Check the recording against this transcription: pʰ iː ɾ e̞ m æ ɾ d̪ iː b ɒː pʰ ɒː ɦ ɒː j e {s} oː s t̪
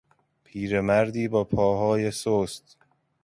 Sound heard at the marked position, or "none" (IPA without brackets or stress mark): s